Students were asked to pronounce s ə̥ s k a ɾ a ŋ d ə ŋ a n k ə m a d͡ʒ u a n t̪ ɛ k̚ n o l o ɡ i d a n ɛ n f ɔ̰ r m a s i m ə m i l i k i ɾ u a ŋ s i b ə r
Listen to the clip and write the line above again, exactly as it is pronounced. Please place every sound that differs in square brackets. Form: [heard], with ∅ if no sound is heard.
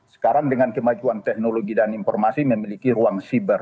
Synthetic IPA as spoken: s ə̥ [∅] k a ɾ a ŋ d ə ŋ a n k ə m a d͡ʒ u a n t̪ ɛ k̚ n o l o ɡ i d a n [i] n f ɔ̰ r m a s i m ə m i l i k i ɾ u a ŋ s i b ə r